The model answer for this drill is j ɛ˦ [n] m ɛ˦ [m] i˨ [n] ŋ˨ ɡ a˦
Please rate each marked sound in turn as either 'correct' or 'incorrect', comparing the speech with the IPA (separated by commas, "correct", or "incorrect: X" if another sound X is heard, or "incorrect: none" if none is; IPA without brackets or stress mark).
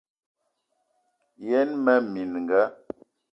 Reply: correct, correct, correct